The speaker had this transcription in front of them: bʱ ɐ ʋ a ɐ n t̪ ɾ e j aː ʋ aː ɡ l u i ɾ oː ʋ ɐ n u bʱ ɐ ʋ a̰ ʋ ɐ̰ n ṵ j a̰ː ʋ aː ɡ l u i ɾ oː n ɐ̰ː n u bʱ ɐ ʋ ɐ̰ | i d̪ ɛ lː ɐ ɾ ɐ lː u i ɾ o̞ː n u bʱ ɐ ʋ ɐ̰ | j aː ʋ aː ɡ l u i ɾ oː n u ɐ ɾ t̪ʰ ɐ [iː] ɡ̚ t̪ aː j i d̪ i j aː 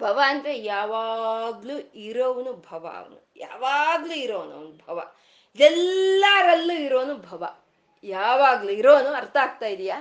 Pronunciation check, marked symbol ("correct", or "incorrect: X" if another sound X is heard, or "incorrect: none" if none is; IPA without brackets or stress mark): incorrect: aː